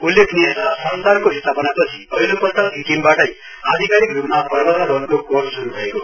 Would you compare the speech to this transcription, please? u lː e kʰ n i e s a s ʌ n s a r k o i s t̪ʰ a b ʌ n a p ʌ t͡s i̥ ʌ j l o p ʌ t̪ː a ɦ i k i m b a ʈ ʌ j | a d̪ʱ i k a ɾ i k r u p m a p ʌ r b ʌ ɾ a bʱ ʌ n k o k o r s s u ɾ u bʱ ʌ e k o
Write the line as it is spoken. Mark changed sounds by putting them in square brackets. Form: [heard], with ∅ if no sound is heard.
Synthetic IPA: u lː e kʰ n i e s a s ʌ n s a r k o i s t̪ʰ a [p] ʌ n a p ʌ [t͡sʰ] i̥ ʌ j l o p ʌ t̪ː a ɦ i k i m b a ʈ ʌ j | a d̪ʱ i k a ɾ i k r u p m a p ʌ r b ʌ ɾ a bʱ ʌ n k o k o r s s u ɾ u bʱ ʌ e k o